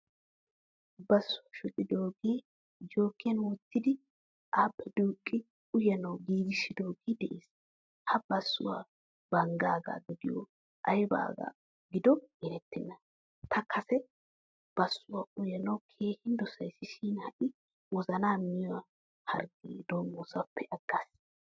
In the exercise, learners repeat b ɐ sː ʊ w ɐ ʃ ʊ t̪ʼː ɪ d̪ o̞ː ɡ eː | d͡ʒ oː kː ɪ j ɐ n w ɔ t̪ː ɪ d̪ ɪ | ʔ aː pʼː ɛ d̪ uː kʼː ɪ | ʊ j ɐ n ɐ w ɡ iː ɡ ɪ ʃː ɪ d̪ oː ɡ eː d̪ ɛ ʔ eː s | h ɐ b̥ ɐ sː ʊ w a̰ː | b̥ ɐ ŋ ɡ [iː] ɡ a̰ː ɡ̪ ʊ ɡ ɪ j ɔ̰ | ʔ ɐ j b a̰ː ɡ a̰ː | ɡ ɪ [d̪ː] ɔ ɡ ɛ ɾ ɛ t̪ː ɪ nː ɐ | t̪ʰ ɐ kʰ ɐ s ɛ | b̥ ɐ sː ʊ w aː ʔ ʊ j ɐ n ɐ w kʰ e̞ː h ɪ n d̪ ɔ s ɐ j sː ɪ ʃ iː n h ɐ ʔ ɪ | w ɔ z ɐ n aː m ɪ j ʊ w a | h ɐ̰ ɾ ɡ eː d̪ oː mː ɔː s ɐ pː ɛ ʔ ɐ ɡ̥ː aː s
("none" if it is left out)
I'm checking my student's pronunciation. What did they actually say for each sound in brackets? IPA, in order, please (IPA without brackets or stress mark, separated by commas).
aː, d̪